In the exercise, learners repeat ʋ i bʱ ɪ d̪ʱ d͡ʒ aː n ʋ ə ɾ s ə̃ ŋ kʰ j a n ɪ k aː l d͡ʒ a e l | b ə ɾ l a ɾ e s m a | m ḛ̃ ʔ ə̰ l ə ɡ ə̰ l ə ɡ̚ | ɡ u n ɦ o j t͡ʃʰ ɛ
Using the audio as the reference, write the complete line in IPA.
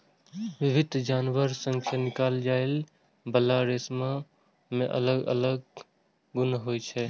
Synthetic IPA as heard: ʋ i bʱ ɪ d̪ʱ d͡ʒ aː n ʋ ə ɾ s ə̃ ŋ kʰ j a n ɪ k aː l d͡ʒ a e l | b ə l a ɾ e s m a | m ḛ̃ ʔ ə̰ l ə ɡ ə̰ l ə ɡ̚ | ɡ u n ɦ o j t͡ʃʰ ɛ